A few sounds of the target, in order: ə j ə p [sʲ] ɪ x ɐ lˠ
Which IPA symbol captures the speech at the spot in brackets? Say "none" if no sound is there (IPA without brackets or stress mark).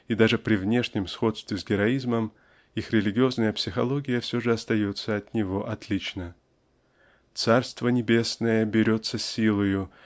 sʲ